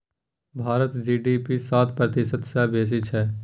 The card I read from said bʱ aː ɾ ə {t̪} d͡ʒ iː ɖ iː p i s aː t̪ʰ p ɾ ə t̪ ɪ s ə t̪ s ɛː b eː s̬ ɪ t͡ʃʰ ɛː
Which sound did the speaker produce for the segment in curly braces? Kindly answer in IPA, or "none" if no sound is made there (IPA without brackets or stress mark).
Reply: t̪